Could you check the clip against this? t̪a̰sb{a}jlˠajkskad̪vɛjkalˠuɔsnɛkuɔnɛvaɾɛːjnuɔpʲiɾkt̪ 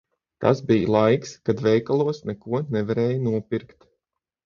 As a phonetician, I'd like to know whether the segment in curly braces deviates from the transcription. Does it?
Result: yes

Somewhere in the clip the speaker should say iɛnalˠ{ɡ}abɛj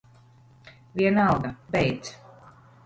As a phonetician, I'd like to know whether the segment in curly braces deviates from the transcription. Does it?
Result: no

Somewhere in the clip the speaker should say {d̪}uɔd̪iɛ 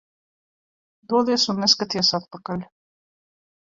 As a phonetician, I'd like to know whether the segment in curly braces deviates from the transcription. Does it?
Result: no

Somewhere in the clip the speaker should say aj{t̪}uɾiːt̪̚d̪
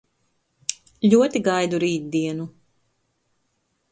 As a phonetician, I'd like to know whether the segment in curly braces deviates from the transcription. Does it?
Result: yes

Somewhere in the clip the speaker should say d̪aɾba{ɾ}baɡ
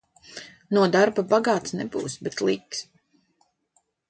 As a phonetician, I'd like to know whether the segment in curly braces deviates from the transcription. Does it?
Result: yes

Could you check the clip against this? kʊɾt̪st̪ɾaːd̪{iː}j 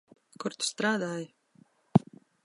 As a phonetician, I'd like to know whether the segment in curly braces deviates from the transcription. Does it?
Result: yes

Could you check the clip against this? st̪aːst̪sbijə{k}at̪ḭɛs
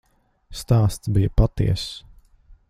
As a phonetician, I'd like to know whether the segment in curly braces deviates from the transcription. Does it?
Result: yes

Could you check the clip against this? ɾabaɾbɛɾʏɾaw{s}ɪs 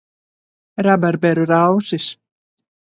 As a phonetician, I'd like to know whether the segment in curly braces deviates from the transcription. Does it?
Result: no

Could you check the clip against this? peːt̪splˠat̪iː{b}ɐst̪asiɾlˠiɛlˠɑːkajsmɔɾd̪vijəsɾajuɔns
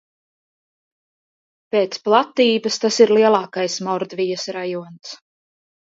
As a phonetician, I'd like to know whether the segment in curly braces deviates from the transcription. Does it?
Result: no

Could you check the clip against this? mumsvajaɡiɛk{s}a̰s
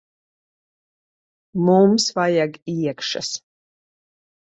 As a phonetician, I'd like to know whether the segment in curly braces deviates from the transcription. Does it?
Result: yes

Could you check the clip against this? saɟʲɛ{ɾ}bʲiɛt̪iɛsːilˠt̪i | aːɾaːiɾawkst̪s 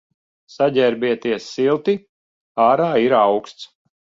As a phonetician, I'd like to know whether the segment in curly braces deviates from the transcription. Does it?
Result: no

